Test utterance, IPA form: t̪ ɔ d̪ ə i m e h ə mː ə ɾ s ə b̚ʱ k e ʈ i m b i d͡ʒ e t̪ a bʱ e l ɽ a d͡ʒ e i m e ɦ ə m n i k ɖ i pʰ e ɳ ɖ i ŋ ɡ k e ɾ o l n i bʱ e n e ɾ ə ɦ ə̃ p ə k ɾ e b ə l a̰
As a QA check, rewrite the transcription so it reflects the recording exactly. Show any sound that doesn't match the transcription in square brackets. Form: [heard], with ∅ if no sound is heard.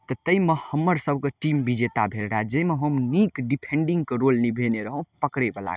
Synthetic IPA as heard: t̪ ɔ [t̪] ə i m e h ə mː ə ɾ s ə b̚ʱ k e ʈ i m b i d͡ʒ e t̪ a bʱ e l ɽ a d͡ʒ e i m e ɦ ə m n i k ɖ i pʰ e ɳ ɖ i ŋ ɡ k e ɾ o l n i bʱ e n e ɾ ə ɦ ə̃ p ə k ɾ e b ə l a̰